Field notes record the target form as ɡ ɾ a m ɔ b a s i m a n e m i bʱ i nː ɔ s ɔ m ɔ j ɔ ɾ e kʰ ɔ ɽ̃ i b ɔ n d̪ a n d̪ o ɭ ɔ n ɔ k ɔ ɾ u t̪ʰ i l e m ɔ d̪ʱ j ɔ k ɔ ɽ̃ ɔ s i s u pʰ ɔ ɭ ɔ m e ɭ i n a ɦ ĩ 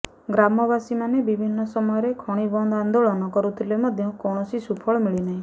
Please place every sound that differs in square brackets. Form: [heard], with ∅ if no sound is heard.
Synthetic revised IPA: ɡ ɾ a m ɔ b a s i m a n e [b] i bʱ i nː ɔ s ɔ m ɔ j ɔ ɾ e kʰ ɔ ɽ̃ i b ɔ n d̪ a n d̪ o ɭ ɔ n ɔ k ɔ ɾ u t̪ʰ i l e m ɔ d̪ʱ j ɔ k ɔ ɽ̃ ɔ s i s u pʰ ɔ ɭ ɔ m [i] ɭ i n a ɦ ĩ